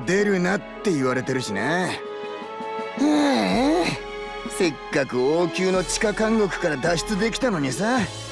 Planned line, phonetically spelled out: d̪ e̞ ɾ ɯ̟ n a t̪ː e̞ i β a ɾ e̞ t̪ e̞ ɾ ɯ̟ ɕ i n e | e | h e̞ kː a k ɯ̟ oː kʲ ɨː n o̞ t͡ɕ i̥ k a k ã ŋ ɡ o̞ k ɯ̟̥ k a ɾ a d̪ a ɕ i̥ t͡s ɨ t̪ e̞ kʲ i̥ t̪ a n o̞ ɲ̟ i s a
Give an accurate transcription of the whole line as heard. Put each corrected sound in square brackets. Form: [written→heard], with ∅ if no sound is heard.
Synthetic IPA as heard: d̪ e̞ ɾ ɯ̟ n a t̪ː e̞ i β a ɾ e̞ t̪ e̞ ɾ ɯ̟ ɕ i n e | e | [h→s] e̞ kː a k ɯ̟ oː kʲ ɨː n o̞ t͡ɕ i̥ k a k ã ŋ ɡ o̞ k ɯ̟̥ k a ɾ a d̪ a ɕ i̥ t͡s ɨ [t̪→d̪] e̞ kʲ i̥ t̪ a n o̞ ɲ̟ i s a

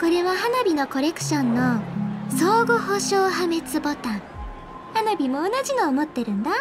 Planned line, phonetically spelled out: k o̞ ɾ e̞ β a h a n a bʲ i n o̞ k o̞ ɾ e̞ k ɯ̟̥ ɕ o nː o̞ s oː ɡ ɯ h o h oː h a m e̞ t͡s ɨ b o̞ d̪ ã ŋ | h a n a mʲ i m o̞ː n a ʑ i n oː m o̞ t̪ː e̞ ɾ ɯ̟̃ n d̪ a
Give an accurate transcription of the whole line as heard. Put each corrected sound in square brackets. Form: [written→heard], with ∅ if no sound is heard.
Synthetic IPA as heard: k o̞ ɾ e̞ β a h a n a bʲ i n o̞ k o̞ ɾ e̞ k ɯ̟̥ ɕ [o→õ] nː o̞ s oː ɡ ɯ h o [h→ɕ] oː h a m e̞ t͡s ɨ b o̞ [d̪→t̪] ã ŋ | h a n a [mʲ→bʲ] i m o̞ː n a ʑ i n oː m o̞ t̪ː e̞ ɾ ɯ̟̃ n d̪ a

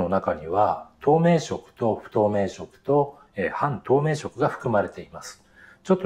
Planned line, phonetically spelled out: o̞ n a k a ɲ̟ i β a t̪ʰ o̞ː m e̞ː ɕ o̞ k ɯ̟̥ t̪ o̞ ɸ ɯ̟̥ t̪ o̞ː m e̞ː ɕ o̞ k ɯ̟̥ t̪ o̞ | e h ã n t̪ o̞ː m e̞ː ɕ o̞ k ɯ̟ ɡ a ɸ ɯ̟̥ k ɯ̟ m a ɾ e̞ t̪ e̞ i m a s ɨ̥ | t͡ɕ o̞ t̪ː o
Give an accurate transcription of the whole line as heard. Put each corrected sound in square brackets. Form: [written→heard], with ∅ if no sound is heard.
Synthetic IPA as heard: o̞ n a k a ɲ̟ i β a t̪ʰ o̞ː m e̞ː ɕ o̞ k ɯ̟̥ t̪ o̞ ɸ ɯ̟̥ t̪ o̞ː m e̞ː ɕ o̞ k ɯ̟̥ t̪ o̞ | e h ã n t̪ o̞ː m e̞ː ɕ o̞ k ɯ̟ ɡ a ɸ ɯ̟̥ k ɯ̟ m a ɾ e̞ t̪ e̞ i m a s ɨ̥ | t͡ɕ o̞ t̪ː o

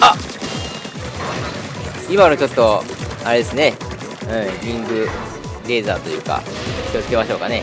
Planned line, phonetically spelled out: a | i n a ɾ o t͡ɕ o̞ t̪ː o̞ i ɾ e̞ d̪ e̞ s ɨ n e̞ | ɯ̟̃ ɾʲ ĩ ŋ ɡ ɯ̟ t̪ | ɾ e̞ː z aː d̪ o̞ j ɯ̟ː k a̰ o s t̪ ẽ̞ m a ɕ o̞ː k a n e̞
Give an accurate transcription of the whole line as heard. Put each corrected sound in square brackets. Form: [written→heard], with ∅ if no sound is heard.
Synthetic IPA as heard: a | i [n→m] a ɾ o t͡ɕ o̞ t̪ː o̞ [i→a] ɾ e̞ d̪ e̞ s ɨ n e̞ | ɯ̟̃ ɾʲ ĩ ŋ ɡ ɯ̟ [t̪→∅] | ɾ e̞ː z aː [d̪→t̪] o̞ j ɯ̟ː k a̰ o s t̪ [ẽ̞→e̞] m a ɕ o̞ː k a n e̞

